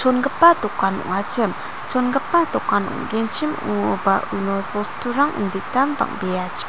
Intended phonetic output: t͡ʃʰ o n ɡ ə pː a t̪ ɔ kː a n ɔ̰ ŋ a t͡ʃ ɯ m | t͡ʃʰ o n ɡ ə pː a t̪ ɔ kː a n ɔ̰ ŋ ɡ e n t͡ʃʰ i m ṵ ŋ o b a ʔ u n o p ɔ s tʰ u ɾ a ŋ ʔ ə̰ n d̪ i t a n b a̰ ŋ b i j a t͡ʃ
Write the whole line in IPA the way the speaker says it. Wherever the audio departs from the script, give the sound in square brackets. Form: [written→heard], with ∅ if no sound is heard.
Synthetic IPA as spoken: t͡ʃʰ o n ɡ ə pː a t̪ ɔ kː a n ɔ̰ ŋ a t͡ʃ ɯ m | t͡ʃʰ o n ɡ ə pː a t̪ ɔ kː a n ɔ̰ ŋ ɡ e n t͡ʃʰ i m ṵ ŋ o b a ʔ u n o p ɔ s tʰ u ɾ a ŋ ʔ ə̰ n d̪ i t a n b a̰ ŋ b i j a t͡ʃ